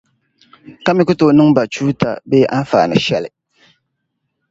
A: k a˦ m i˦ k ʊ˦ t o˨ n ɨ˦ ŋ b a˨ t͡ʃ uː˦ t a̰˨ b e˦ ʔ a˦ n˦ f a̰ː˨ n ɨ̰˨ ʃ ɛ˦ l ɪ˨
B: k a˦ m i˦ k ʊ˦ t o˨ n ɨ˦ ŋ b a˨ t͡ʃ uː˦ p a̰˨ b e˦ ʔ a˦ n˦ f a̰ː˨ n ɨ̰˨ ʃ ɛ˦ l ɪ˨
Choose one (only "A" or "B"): A